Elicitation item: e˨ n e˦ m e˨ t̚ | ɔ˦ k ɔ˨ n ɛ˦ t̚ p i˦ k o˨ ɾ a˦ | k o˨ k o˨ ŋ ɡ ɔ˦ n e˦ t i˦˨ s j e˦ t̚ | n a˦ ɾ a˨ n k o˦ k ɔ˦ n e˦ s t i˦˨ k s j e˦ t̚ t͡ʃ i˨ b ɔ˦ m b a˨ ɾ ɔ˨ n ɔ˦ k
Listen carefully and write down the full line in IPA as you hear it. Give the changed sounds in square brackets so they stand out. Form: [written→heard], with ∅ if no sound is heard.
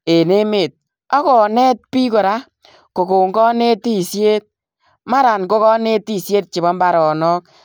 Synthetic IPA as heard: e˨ n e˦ m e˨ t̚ | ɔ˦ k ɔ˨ n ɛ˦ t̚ p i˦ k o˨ ɾ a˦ | k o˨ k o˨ ŋ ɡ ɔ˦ n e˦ t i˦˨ s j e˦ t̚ | [n→m] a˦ ɾ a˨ n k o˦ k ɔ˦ n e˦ [s→∅] t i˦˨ [k→∅] s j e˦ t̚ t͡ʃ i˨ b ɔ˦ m b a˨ ɾ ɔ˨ n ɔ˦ k